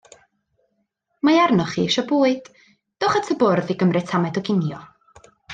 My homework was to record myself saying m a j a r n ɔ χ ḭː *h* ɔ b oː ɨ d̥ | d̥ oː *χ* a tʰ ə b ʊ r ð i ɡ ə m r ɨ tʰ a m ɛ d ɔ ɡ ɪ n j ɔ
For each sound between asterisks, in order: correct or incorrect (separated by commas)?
incorrect, correct